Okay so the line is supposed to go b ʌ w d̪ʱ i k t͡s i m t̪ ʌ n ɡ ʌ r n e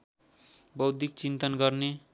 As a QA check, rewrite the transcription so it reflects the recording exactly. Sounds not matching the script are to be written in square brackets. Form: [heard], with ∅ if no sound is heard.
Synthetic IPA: b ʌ w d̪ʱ i k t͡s i [n] t̪ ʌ n ɡ ʌ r n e